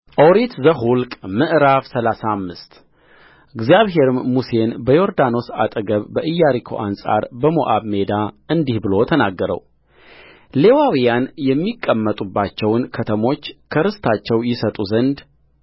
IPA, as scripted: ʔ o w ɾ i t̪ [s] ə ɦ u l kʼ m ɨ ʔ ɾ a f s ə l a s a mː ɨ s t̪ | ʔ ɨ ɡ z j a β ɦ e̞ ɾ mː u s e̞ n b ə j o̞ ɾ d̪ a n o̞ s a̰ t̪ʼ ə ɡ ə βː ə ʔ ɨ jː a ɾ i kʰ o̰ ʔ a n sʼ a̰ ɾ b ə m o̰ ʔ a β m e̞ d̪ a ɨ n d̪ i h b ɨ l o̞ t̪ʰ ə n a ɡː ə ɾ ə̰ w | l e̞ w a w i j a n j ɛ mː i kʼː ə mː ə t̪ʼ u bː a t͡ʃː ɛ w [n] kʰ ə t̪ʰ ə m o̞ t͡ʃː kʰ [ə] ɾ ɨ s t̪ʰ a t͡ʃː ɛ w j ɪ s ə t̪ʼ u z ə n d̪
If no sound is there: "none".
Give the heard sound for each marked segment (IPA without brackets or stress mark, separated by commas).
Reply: z, n, ə